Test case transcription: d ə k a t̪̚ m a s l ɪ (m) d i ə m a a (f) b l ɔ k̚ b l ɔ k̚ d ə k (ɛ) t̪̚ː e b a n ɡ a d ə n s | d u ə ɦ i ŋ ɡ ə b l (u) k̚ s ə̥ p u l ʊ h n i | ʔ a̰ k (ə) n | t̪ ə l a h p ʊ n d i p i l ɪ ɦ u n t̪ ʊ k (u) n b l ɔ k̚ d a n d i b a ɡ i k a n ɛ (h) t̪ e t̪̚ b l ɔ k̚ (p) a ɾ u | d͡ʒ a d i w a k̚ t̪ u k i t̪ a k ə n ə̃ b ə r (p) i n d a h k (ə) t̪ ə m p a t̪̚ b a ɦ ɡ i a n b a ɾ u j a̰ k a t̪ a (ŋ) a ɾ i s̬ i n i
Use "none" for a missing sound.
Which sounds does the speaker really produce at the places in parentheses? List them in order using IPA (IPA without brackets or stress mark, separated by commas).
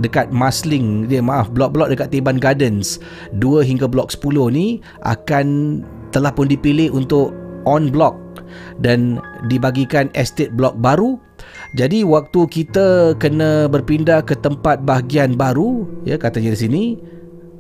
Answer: ŋ, f, a, ɔ, a, ɔ, s, b, p, ə, ɲ